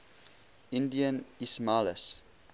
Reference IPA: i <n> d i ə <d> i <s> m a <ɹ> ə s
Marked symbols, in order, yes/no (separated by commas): yes, no, yes, no